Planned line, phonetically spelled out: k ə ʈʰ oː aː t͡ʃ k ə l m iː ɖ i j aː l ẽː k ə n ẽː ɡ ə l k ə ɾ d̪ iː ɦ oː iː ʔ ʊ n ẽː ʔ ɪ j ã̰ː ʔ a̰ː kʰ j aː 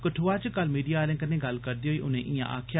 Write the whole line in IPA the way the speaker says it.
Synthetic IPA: k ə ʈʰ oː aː t͡ʃ k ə l m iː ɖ i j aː l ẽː k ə n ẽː ɡ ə l k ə ɾ d̪ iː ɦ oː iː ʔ ʊ n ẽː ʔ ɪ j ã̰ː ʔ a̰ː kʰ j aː

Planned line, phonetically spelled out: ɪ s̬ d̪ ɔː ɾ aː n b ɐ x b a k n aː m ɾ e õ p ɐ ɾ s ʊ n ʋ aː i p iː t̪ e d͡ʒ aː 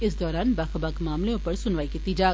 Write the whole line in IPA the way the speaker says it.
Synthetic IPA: ɪ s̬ d̪ ɔː ɾ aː n b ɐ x b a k m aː m l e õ p ɐ ɾ s ʊ n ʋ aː i k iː t̪ i d͡ʒ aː

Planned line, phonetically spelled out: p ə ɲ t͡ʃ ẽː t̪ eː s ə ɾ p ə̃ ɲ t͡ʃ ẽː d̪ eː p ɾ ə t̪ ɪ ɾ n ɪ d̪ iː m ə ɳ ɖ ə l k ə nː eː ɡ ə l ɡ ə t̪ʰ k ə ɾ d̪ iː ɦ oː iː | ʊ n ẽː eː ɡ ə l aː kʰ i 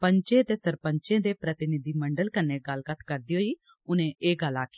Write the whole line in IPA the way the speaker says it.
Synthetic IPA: p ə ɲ t͡ʃ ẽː t̪ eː s ə ɾ p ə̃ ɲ t͡ʃ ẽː d̪ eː p ɾ ə t̪ ɪ n ɪ d̪ iː m ə ɳ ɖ ə l k ə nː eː ɡ ə l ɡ ə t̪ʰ k ə ɾ d̪ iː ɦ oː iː | ʊ n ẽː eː ɡ ə l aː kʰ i

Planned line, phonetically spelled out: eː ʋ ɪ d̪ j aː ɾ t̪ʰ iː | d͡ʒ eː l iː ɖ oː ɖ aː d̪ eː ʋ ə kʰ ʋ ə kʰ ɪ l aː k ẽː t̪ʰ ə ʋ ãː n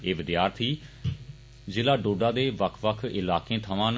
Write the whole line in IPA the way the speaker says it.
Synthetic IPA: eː ʋ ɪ d̪ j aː ɾ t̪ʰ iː | d͡ʒ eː l aː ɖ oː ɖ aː d̪ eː ʋ ə kʰ ʋ ə kʰ ɪ l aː k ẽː t̪ʰ ə ʋ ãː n

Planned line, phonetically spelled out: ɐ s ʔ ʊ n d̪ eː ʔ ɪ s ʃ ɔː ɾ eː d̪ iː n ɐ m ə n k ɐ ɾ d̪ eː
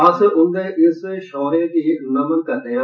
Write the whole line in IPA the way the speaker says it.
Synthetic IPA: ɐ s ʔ ʊ n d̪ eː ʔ ɪ s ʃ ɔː ɾ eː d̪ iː n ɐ m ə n k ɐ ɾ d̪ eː

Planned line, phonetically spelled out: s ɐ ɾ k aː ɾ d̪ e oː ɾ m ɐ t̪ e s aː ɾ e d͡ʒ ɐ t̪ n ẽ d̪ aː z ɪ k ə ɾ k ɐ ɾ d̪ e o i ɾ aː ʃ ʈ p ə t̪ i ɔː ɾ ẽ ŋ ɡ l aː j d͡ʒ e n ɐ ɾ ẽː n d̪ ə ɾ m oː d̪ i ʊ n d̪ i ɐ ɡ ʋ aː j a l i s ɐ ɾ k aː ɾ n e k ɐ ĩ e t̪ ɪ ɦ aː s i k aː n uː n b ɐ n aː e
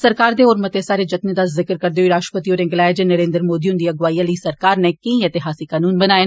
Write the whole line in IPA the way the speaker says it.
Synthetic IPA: s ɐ ɾ k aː ɾ d̪ e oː ɾ m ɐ t̪ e s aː ɾ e d͡ʒ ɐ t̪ n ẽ d̪ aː z ɪ k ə ɾ k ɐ ɾ d̪ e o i ɾ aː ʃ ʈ p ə t̪ i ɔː ɾ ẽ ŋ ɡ l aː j d͡ʒ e n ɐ ɾ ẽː n d̪ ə ɾ m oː d̪ i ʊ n d̪ i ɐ ɡ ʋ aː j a l i s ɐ ɾ k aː ɾ n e k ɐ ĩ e t̪ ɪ ɦ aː s i k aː n uː n b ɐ n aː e

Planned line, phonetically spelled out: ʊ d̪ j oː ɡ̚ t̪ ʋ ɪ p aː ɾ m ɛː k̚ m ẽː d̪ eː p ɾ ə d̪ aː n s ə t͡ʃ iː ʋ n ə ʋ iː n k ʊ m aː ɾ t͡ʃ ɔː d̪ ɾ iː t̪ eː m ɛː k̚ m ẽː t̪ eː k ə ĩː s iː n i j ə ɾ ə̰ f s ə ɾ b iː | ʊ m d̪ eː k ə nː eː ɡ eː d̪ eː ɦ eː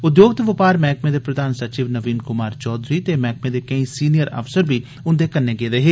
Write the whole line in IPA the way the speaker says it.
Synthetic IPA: ʊ d̪ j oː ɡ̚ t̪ ʋ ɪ p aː ɾ m ɛː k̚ m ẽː d̪ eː p ɾ ə d̪ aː n s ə t͡ʃ iː ʋ n ə ʋ iː n k ʊ m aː ɾ t͡ʃ ɔː d̪ ɾ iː t̪ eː m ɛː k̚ m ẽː d̪ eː k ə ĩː s iː n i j ə ɾ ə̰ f s ə ɾ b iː | ʊ n d̪ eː k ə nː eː ɡ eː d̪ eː ɦ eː

